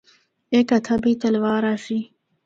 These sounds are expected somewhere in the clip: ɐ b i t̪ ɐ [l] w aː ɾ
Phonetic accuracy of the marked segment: correct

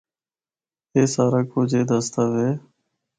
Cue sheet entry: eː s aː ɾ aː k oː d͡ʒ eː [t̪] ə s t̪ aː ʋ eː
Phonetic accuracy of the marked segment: incorrect: d̪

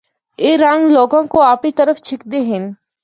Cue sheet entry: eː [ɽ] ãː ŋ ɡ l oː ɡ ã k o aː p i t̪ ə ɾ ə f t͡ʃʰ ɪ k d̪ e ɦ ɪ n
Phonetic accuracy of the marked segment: incorrect: ɾ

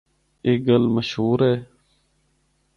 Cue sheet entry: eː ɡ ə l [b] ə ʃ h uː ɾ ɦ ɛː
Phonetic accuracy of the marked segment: incorrect: m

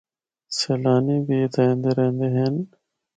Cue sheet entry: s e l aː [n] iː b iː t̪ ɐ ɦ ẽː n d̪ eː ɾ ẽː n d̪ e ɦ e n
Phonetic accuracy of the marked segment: correct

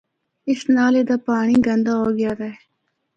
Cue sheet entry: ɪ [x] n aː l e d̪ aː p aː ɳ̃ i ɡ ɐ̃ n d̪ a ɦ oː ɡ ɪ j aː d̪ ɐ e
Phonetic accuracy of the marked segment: incorrect: s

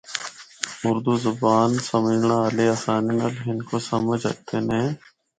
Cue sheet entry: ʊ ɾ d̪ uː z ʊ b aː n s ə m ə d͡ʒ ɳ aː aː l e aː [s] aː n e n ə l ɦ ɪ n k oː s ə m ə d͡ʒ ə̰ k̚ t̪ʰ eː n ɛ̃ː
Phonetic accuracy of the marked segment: correct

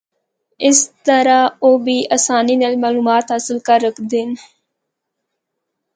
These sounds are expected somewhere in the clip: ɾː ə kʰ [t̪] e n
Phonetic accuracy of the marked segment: incorrect: d̪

